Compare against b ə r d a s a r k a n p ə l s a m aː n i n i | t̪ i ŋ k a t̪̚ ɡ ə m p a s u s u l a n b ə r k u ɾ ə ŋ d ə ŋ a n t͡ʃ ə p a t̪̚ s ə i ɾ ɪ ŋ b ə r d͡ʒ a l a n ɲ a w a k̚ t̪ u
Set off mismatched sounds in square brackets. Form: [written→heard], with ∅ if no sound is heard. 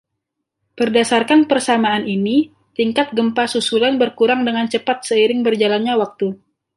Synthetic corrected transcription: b ə r d a s a r k a n p ə [l→r] s a m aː n i n i | t̪ i ŋ k a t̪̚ ɡ ə m p a s u s u l a n b ə r k u ɾ [ə→a] ŋ d ə ŋ a n t͡ʃ ə p a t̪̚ s ə i ɾ ɪ ŋ b ə r d͡ʒ a l a n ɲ a w a k̚ t̪ u